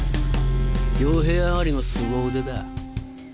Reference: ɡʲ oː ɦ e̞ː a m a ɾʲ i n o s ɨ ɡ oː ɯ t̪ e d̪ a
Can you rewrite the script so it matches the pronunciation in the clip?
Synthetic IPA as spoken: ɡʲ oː ɦ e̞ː a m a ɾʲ i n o s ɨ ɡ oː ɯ d̪ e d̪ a